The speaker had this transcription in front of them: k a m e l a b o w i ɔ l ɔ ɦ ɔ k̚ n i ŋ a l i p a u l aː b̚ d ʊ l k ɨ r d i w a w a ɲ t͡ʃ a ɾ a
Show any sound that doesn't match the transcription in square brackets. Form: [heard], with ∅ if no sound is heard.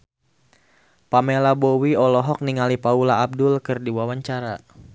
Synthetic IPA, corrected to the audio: [p] a m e l a b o w i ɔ l ɔ ɦ ɔ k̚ n i ŋ a l i p a u l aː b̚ d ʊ l k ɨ r d i w a w a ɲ t͡ʃ a ɾ a